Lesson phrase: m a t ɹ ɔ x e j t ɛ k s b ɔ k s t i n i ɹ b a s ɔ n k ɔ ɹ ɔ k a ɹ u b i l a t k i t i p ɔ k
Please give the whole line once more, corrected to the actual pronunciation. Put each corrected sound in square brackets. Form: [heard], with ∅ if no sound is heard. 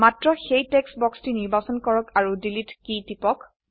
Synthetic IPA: m a t ɹ ɔ x e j t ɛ k s b ɔ k s t i n i ɹ b a s ɔ n k ɔ ɹ ɔ k a ɹ u [d] i l [i] t k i t i p ɔ k